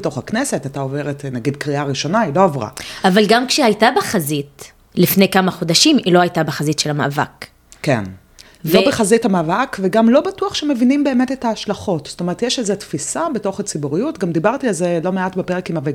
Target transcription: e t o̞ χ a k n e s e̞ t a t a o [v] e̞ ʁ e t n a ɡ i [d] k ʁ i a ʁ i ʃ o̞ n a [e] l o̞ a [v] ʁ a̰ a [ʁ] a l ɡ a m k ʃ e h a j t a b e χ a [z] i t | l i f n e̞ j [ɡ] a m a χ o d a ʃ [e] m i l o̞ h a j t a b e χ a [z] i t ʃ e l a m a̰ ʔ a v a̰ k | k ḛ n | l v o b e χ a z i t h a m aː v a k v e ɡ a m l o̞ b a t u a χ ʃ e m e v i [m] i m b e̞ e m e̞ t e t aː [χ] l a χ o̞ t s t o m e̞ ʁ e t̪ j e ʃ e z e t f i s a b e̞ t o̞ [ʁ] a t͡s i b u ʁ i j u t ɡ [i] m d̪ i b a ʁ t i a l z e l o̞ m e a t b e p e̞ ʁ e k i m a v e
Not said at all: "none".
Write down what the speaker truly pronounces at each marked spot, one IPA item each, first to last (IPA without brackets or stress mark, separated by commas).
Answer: v, d, i, v, v, z, k, i, z, n, ʃ, χ, a